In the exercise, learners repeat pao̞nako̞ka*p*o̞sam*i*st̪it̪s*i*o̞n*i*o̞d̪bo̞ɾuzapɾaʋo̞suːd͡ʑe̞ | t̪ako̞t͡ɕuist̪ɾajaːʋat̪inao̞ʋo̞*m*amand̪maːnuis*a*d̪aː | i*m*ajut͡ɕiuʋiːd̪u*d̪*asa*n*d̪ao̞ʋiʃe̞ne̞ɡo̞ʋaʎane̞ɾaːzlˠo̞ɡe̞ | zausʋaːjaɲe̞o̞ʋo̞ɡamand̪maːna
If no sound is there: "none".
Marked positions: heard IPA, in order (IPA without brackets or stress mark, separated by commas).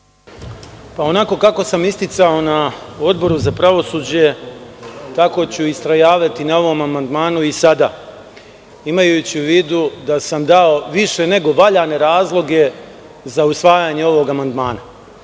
k, i, a, a, m, a, m, d̪, m